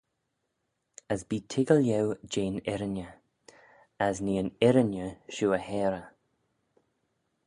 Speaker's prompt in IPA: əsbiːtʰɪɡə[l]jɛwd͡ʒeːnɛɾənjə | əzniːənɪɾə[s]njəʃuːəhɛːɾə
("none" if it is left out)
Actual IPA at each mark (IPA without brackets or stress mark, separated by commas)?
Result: l, none